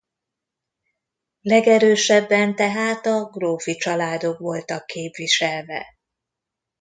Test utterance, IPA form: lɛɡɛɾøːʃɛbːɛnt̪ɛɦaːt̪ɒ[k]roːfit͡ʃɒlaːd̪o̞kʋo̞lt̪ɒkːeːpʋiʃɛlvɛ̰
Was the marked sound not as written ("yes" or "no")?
yes